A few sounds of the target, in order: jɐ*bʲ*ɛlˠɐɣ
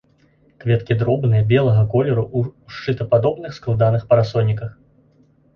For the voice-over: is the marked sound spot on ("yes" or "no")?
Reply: yes